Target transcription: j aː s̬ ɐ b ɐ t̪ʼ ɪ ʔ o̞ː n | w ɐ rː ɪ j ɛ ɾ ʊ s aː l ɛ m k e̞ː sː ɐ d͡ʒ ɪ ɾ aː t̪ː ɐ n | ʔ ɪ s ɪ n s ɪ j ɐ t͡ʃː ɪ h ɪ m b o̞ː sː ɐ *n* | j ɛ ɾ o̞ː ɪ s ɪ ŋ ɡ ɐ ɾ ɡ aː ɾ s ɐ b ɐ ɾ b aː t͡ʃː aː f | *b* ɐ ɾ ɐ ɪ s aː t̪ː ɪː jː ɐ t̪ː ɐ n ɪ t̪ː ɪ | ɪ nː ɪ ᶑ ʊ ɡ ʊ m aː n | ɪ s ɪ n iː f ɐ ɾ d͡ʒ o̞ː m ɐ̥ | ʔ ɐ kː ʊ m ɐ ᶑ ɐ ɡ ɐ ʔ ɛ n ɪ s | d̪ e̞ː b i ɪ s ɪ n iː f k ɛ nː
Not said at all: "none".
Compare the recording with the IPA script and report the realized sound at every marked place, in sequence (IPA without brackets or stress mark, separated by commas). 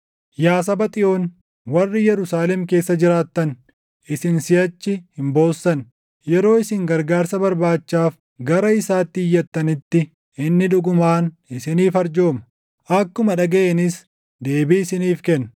n, ɡ